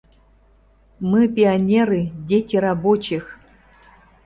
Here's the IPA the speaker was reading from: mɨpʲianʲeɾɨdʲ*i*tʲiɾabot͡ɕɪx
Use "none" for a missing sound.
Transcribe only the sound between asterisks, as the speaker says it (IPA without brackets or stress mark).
e